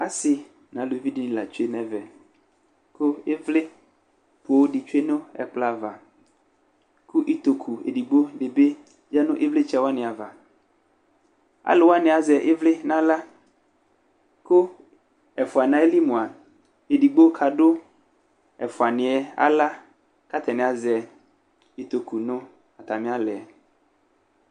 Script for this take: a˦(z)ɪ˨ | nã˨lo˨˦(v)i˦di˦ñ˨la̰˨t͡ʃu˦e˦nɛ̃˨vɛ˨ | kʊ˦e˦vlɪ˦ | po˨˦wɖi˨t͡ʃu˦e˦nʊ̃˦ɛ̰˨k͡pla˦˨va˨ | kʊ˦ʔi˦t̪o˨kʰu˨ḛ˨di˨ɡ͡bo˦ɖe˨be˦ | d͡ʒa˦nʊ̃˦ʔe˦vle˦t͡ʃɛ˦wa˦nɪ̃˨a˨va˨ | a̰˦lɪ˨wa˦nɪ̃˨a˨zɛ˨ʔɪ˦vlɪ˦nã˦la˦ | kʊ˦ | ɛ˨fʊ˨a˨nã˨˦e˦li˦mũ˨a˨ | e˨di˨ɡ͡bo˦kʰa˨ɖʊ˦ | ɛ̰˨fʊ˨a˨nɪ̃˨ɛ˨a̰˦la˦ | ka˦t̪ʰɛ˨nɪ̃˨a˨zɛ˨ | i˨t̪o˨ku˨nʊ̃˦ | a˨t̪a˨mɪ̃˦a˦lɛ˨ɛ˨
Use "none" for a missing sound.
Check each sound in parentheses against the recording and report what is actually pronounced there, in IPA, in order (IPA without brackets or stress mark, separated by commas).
s, v